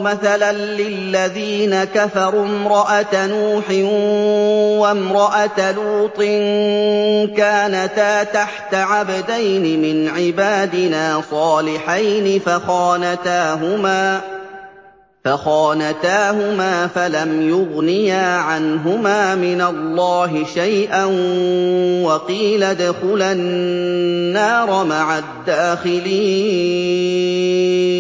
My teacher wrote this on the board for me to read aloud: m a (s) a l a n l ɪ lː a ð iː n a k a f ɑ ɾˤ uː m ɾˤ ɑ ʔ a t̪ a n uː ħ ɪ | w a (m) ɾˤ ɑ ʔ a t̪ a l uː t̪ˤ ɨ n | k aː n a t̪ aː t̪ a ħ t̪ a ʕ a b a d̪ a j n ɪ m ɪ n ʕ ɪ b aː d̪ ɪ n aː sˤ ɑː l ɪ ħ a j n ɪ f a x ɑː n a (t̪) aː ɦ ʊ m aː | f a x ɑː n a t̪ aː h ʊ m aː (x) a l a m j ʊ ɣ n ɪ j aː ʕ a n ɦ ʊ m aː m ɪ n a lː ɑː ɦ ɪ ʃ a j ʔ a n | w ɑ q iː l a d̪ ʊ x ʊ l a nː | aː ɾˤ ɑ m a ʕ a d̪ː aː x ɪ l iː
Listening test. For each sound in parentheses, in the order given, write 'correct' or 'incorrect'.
incorrect: θ, correct, correct, incorrect: f

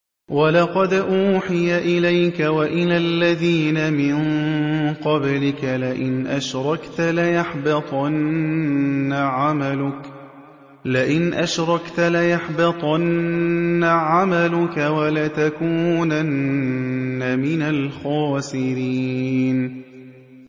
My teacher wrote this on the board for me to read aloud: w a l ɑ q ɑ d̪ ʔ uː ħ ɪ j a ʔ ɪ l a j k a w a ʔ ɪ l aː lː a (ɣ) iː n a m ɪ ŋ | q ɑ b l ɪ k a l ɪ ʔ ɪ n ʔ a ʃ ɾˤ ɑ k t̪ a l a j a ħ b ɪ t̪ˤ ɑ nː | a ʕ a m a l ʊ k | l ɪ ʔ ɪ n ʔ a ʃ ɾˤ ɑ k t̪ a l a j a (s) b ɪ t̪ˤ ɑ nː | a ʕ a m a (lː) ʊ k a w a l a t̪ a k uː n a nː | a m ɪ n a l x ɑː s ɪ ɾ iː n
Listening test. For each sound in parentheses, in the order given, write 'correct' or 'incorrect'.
incorrect: ð, incorrect: ħ, incorrect: l

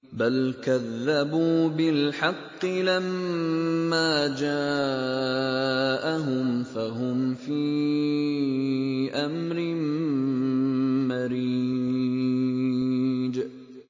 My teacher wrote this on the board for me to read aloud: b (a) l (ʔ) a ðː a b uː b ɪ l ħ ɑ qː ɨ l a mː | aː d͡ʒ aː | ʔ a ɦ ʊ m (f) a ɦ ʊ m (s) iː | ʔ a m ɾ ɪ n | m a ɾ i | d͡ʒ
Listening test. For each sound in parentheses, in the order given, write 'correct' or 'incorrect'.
correct, incorrect: k, correct, incorrect: f

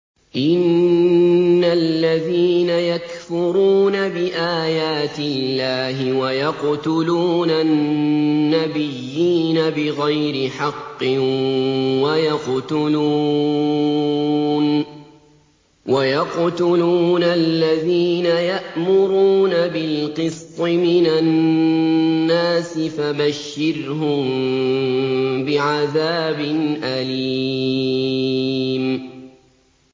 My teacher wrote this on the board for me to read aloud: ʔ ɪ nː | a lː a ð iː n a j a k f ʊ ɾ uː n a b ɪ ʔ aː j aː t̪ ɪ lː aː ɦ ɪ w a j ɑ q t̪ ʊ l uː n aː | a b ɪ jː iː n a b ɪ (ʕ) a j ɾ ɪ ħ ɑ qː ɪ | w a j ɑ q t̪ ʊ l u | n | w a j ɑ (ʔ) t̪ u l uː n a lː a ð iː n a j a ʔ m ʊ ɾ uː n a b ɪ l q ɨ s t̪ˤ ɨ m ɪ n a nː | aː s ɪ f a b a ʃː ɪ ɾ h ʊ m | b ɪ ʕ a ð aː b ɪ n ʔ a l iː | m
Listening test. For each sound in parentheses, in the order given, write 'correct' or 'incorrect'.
incorrect: ɣ, incorrect: q

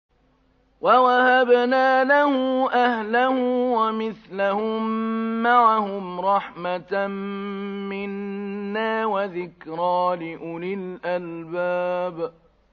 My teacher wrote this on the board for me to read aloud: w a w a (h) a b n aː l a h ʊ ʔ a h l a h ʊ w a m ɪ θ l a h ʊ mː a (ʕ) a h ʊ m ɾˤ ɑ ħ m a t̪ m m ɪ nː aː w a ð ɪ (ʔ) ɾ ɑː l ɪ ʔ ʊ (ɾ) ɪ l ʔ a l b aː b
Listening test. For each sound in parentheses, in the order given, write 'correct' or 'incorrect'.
correct, correct, incorrect: k, incorrect: l

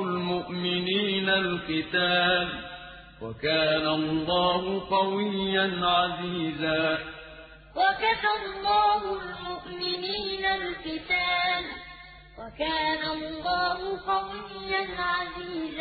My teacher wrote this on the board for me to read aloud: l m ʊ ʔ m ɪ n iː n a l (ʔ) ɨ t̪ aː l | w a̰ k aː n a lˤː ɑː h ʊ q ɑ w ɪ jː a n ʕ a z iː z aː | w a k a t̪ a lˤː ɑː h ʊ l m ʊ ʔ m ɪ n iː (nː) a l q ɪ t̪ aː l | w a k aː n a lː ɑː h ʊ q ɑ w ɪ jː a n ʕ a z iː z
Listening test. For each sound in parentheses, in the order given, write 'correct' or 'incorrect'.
incorrect: q, incorrect: n

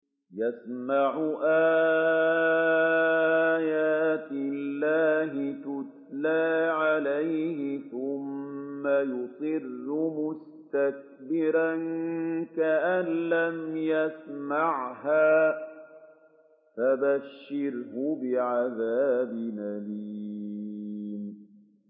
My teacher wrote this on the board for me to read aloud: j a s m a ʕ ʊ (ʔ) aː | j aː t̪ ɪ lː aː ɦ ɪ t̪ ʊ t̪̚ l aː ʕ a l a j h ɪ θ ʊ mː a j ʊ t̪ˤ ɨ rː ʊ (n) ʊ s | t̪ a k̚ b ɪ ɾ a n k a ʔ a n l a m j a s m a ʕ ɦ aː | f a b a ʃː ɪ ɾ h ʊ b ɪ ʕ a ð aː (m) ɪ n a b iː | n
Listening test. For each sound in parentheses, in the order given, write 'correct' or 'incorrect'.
correct, incorrect: m, incorrect: b

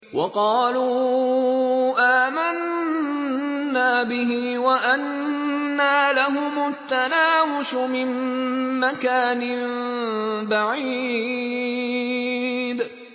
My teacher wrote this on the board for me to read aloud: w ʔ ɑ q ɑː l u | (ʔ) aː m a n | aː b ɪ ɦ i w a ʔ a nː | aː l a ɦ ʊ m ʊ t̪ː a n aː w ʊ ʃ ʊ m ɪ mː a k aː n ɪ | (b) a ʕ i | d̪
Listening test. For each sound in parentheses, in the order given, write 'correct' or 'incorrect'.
correct, correct

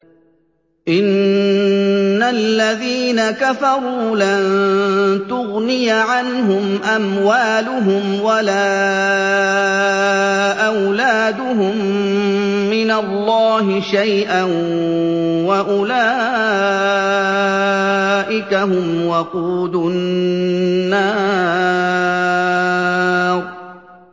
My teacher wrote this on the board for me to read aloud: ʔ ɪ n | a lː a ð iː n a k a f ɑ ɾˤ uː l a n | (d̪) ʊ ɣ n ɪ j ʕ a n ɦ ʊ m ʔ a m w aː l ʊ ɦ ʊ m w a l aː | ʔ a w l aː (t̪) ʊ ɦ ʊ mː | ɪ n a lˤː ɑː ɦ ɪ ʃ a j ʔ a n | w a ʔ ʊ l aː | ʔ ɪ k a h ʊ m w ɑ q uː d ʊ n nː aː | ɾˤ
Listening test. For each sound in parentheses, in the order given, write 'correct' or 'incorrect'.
incorrect: t̪, incorrect: d̪

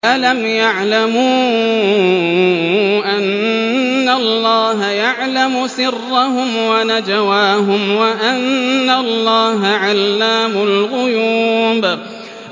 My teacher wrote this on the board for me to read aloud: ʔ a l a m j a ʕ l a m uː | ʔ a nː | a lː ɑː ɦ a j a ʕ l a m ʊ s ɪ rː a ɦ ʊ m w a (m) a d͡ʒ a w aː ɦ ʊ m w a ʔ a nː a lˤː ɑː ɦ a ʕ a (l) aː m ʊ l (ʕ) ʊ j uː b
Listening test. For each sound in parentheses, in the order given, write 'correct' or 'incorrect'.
incorrect: n, incorrect: lː, incorrect: ɣ

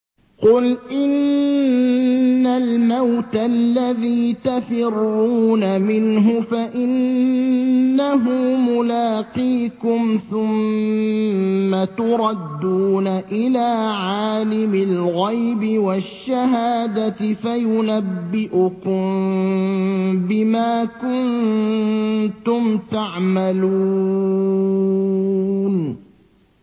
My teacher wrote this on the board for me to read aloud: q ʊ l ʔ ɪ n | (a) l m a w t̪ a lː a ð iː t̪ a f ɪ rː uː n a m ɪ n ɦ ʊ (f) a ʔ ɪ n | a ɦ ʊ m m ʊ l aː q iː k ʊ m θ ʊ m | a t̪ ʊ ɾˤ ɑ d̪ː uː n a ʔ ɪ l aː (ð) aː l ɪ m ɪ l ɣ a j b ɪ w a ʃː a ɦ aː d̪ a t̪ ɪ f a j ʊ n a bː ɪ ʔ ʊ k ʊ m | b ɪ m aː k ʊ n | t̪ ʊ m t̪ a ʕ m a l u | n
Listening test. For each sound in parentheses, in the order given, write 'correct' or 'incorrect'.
correct, correct, incorrect: ʕ

